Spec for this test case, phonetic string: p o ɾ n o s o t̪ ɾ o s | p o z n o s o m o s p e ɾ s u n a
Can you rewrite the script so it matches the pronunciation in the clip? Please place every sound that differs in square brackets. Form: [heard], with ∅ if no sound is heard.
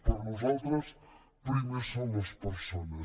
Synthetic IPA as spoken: p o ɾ n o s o t̪ ɾ o s | p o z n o s o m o s p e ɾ s [o] n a